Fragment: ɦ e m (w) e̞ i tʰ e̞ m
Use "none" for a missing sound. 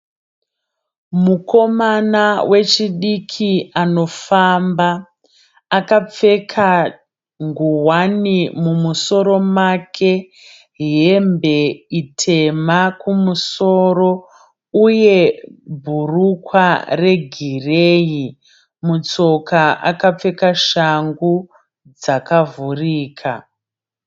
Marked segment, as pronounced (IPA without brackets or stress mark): b